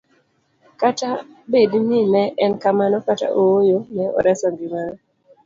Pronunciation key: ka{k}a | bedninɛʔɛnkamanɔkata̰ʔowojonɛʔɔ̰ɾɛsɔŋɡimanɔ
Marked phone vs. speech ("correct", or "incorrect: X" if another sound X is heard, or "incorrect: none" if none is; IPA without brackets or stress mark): incorrect: t